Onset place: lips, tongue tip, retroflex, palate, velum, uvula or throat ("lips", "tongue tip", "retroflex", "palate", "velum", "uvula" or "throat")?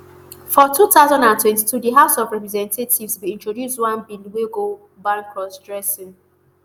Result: lips